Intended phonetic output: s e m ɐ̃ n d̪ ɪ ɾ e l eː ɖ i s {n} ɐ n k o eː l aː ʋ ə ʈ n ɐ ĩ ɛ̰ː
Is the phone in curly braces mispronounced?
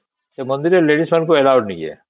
yes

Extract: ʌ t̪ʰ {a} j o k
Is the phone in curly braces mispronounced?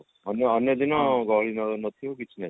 yes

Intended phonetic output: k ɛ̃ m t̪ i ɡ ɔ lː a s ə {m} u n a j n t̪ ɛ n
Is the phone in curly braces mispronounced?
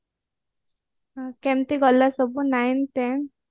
yes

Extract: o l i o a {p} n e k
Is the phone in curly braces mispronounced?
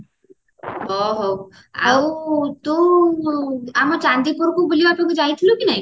no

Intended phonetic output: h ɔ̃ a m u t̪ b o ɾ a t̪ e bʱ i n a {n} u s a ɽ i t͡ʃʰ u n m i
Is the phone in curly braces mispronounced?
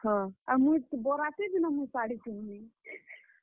yes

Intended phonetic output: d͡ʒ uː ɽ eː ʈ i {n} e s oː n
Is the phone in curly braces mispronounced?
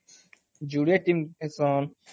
yes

